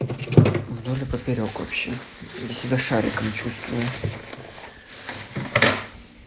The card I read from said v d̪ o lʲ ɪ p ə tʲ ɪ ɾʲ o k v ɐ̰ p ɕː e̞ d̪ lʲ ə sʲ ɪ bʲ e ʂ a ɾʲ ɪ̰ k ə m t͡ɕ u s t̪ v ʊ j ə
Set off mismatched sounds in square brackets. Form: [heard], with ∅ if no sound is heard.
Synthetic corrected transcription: v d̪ o lʲ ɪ p ə [pʲ] ɪ ɾʲ o k v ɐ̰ p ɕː e̞ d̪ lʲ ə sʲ ɪ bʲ [a] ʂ a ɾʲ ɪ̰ k ə m t͡ɕ u s t̪ v ʊ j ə